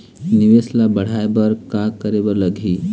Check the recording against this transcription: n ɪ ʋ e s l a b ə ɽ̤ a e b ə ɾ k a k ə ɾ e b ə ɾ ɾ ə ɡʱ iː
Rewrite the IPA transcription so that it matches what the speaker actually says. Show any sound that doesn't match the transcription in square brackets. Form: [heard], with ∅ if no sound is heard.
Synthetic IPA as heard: n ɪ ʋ e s l a b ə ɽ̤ a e b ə ɾ k a k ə ɾ e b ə ɾ [l] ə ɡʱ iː